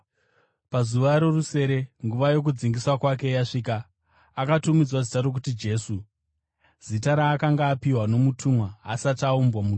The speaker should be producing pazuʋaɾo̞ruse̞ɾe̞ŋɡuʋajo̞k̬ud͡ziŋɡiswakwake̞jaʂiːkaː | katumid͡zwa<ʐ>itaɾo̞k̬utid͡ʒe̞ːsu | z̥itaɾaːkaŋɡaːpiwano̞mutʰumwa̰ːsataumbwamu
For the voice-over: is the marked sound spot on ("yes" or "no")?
no